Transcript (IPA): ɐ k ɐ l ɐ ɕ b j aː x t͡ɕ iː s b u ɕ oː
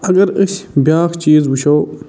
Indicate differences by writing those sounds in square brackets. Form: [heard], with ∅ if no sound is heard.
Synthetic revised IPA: ɐ [ɡ] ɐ [ɾ] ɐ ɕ b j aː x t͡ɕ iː [z] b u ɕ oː